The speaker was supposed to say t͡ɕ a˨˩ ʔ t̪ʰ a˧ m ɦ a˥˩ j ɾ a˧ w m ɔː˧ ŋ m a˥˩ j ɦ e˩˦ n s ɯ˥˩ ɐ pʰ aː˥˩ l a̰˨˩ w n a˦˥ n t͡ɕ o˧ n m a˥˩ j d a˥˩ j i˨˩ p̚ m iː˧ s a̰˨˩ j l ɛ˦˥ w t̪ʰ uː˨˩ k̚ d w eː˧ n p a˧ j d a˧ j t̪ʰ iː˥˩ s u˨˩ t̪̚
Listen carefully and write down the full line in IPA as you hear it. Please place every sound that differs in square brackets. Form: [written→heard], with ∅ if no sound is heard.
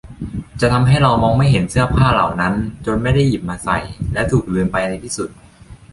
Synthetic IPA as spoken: t͡ɕ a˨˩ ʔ t̪ʰ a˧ m ɦ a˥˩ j ɾ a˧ w m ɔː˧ ŋ m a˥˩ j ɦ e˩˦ n s ɯ˥˩ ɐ pʰ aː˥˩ l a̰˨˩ w n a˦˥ n t͡ɕ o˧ n m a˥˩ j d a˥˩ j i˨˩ p̚ m [iː˧→aː˧] s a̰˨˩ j l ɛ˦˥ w t̪ʰ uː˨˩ k̚ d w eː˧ n p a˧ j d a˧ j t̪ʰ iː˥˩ s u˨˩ t̪̚